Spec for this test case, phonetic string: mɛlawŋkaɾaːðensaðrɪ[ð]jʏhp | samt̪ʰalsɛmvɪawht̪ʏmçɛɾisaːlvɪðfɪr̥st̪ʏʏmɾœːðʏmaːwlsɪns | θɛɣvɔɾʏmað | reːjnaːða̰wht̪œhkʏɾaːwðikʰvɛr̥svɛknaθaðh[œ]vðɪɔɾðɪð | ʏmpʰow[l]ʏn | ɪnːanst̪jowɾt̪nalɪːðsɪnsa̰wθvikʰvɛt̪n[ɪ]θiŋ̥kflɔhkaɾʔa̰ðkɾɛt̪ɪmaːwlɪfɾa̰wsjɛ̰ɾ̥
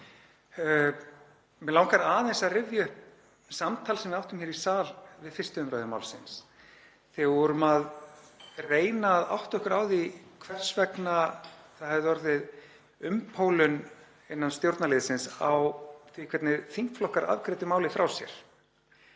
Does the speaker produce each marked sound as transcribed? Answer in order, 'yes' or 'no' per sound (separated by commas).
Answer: no, no, yes, yes